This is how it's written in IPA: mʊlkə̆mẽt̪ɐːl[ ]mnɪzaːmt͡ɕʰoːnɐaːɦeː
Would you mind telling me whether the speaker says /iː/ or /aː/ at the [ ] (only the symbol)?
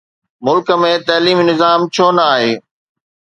iː